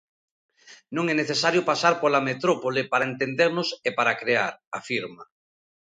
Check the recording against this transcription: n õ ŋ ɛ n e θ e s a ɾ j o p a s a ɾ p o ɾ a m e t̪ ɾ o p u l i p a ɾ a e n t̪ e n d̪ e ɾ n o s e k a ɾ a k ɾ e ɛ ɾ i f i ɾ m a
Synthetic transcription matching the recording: n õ ŋ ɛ n e θ e s a ɾ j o p a s a ɾ p o l a m e t̪ ɾ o p o l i p a ɾ a e n t̪ e n d̪ e ɾ n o s e p a ɾ a k ɾ e a ɾ a f i ɾ m a